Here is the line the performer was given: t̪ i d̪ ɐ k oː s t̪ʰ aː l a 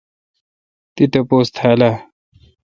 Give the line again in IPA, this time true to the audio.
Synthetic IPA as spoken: t̪ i t̪ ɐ p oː s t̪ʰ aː l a